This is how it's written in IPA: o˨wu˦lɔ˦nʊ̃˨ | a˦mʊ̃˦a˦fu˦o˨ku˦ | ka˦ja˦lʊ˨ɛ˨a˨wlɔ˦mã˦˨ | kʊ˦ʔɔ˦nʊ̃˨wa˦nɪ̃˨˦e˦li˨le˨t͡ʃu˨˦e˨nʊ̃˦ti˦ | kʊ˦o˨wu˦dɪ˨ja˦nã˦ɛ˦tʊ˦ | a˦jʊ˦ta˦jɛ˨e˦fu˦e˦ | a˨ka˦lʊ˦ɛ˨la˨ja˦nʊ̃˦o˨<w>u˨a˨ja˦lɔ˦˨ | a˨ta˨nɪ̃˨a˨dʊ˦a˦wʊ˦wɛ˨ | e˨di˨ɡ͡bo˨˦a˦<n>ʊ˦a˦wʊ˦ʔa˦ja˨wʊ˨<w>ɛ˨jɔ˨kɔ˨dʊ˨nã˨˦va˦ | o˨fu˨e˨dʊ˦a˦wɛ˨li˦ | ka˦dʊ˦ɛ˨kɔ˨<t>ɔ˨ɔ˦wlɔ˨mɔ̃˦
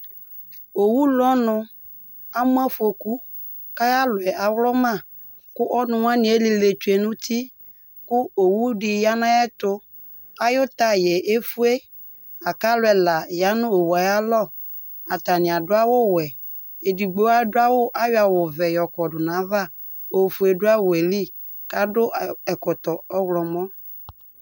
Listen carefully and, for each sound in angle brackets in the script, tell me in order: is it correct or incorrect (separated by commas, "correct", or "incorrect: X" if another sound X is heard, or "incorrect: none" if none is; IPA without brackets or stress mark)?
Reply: correct, incorrect: d, incorrect: v, correct